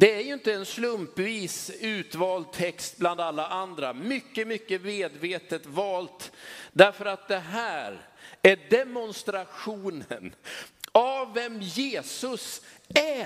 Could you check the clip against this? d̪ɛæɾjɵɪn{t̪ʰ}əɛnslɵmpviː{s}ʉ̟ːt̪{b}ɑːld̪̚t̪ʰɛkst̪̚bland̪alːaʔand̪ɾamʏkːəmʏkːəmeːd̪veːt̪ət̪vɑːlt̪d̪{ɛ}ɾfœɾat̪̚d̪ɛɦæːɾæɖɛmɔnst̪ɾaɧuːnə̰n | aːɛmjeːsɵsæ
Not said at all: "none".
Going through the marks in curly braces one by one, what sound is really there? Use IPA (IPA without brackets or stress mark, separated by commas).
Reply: t̪, s, v, æ